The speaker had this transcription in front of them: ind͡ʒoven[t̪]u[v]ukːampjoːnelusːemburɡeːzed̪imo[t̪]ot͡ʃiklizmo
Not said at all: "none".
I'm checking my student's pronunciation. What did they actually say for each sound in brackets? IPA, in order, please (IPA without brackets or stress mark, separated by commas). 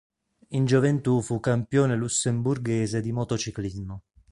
t̪, f, t̪